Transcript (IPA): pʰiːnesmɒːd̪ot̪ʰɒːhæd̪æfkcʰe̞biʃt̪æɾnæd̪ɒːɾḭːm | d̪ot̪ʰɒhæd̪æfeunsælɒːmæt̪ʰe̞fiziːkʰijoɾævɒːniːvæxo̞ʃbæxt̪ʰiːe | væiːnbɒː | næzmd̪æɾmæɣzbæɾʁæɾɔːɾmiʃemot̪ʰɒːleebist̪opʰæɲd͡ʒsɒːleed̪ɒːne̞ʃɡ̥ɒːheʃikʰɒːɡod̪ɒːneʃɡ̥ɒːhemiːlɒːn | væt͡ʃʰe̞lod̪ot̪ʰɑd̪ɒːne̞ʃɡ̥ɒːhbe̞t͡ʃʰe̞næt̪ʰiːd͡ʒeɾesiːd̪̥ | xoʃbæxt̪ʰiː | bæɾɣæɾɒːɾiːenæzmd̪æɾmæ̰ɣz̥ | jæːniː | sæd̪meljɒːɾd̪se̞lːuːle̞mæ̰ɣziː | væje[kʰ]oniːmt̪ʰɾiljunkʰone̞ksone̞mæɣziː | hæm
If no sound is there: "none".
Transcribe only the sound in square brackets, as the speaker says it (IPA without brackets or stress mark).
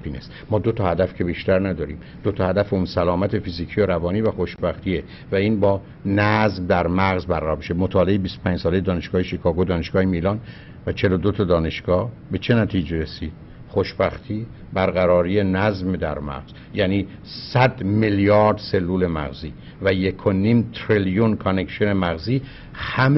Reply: kʰ